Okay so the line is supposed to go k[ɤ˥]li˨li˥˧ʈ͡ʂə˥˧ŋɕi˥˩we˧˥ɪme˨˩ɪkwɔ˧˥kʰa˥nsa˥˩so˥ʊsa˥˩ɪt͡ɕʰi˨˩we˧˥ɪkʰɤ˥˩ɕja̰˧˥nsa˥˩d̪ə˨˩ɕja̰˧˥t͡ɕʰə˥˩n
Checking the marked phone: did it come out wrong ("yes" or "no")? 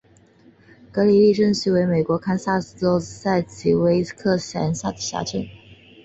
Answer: yes